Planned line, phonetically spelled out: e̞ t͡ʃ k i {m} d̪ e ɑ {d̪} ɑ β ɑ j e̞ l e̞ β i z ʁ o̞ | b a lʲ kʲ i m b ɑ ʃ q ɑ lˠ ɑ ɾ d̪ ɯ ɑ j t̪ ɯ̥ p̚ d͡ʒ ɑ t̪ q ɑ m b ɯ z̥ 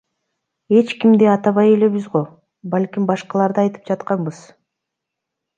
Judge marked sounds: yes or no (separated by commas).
yes, no